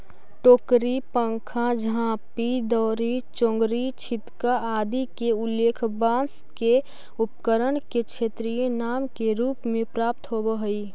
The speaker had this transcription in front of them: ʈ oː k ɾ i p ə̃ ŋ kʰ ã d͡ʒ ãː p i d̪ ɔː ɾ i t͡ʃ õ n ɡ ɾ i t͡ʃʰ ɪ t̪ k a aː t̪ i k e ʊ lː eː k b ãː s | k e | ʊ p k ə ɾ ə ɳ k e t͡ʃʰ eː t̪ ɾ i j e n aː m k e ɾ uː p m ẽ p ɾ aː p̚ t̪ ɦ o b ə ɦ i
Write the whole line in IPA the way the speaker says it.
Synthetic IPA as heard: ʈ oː k ɾ i p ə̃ ŋ kʰ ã d͡ʒ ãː p i d̪ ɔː ɾ i t͡ʃ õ ŋ ɡ ɾ i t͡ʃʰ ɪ t̪ k a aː d̪ i k e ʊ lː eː kʰ b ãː s | k e | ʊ p k ə ɾ ə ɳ k e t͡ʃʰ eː t̪ ɾ i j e n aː m k e ɾ uː p m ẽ p ɾ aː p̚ t̪ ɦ o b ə ɦ i